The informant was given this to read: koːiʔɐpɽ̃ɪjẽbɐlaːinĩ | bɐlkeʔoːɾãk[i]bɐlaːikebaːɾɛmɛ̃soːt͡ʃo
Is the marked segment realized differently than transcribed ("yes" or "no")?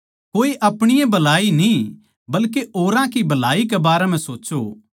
no